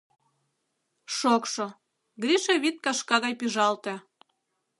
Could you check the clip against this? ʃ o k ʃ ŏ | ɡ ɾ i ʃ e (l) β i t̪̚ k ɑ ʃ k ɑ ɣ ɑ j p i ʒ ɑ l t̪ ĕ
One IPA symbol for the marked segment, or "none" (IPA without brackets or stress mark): none